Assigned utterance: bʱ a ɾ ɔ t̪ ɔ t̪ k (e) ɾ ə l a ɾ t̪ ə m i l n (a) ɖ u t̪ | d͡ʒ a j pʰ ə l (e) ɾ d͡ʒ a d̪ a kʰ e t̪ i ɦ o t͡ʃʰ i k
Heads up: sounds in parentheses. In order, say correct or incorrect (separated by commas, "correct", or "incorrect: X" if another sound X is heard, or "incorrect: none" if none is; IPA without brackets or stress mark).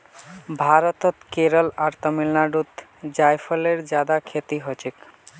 correct, correct, correct